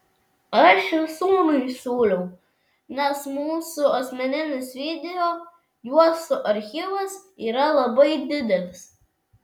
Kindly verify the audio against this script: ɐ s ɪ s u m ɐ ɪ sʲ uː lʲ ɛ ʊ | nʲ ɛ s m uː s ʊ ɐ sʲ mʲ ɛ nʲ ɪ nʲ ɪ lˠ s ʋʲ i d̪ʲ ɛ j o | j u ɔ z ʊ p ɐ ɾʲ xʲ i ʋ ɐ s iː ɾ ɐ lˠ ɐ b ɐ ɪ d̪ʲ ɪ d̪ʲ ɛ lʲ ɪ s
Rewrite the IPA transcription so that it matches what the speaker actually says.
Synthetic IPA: ɐ ʃ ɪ s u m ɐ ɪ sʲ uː lʲ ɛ ʊ | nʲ ɛ s m uː s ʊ ɐ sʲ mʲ ɛ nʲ ɪ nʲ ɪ s ʋʲ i d̪ʲ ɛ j o | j u ɔ s ʊ ʔ ɐ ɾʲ xʲ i ʋ ɐ s iː ɾ ɐ lˠ ɐ b ɐ ɪ d̪ʲ ɪ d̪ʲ ɛ lʲ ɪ s